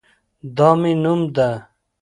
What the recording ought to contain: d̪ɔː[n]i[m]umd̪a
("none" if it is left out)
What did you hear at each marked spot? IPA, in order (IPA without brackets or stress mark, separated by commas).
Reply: m, n